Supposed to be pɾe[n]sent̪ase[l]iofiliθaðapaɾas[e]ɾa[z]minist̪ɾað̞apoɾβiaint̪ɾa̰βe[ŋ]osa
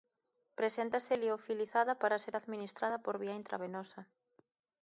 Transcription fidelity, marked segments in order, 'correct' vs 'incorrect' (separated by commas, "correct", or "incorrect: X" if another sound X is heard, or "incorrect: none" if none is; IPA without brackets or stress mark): incorrect: none, correct, correct, incorrect: ð, incorrect: n